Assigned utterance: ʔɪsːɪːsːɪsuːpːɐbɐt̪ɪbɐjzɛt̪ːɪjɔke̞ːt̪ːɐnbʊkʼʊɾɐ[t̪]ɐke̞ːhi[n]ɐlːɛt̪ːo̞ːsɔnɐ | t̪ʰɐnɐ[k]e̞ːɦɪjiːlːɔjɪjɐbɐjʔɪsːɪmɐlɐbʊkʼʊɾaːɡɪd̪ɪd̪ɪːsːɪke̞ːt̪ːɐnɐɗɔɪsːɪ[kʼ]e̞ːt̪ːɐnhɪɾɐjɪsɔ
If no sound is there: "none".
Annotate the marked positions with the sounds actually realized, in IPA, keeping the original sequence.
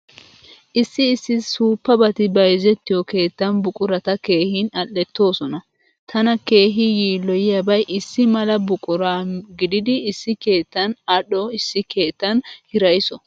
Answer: t̪, n, k, k

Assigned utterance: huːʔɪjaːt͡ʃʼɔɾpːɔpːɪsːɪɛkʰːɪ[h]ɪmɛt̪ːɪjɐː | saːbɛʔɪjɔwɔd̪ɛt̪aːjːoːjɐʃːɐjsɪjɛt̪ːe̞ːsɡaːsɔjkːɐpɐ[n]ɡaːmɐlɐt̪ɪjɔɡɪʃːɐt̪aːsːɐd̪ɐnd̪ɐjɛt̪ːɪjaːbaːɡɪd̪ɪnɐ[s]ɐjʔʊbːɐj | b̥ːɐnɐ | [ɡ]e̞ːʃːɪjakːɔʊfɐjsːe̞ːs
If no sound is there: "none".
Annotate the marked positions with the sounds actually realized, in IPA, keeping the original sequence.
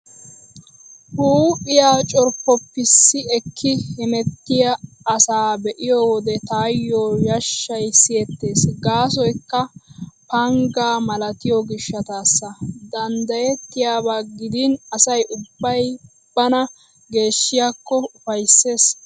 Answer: h, ŋ, s, ɡ

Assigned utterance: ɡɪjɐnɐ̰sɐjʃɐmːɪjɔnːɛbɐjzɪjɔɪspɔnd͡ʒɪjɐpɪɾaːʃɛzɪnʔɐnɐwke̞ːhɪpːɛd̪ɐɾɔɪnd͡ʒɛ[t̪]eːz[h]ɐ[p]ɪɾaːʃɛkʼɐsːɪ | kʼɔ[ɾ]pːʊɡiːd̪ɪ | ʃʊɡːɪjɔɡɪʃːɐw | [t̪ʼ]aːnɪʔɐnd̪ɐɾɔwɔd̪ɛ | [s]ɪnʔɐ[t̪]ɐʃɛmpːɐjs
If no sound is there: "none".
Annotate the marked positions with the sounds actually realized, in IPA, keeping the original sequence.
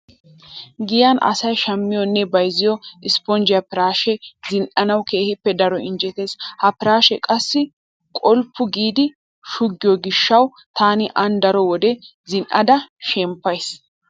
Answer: t̪, h, p, l, t̪, z, d̪

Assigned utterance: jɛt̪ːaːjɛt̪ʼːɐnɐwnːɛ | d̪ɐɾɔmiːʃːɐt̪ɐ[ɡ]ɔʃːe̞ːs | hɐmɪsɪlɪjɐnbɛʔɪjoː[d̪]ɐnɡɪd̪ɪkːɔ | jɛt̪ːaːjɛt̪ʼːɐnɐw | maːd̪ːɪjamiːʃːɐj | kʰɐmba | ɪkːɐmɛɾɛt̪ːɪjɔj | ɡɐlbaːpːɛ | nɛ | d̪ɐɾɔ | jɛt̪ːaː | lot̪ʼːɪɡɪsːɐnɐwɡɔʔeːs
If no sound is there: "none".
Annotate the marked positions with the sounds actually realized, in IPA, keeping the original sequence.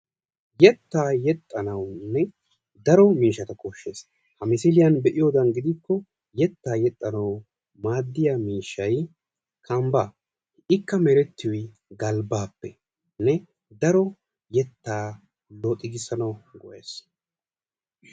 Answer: k, d̪

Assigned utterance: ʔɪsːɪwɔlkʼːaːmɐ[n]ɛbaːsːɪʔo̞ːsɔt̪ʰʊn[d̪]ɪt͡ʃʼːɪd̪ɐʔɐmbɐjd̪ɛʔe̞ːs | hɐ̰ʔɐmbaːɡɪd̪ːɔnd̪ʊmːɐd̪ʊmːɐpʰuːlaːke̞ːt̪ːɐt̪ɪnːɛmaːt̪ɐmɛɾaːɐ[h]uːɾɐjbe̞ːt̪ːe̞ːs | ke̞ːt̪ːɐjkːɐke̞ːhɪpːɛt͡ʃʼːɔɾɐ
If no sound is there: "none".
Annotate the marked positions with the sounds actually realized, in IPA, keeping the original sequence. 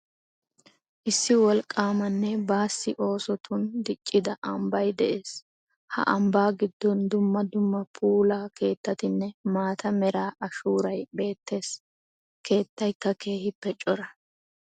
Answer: nː, d̪, ʃ

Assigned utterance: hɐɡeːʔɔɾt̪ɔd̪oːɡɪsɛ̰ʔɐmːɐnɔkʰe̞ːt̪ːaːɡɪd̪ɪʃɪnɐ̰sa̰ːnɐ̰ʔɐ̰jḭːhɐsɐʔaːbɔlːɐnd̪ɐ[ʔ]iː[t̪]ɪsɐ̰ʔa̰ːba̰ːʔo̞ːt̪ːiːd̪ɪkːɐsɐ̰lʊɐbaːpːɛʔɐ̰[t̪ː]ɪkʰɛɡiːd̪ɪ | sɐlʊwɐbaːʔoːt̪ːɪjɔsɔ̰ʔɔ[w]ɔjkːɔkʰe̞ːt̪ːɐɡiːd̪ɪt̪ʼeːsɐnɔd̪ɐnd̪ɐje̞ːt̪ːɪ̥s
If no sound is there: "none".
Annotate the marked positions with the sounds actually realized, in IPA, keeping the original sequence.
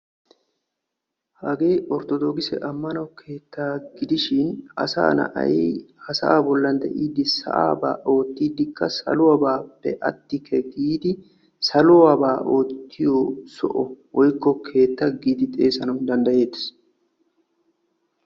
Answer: ʔ, d̪, t̪ː, w

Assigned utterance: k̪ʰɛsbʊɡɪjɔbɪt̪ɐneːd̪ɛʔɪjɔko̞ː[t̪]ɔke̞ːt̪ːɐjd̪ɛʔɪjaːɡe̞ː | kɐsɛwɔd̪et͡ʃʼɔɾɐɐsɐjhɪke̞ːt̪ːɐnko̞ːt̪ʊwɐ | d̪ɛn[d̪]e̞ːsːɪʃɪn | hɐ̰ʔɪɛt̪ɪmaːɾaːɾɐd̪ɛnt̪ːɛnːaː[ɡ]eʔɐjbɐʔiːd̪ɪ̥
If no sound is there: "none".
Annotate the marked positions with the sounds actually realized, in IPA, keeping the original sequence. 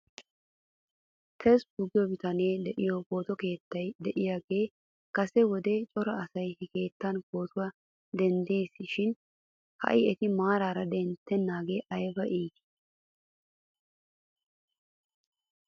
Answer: t̪, d̪, ɡ

